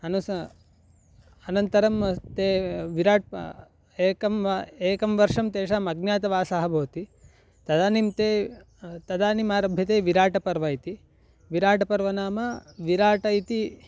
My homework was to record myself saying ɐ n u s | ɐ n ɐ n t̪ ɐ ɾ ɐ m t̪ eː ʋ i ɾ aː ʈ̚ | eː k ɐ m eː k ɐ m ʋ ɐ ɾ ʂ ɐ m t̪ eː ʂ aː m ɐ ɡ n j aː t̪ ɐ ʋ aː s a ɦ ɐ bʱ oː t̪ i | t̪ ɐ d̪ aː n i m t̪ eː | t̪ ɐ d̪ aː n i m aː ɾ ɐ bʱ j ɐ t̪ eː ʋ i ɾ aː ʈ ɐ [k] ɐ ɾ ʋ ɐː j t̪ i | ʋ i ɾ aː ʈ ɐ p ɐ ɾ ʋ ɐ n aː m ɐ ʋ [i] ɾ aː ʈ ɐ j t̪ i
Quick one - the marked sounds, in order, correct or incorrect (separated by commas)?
incorrect, correct